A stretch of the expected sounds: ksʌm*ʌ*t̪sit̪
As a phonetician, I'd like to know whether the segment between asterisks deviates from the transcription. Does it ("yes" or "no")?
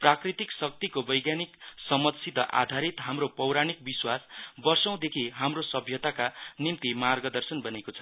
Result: no